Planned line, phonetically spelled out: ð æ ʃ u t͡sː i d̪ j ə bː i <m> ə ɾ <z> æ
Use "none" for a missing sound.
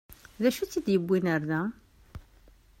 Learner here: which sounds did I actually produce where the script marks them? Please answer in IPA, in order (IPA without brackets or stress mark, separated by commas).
n, ð